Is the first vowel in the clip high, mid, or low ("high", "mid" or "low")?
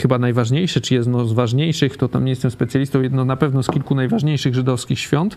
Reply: mid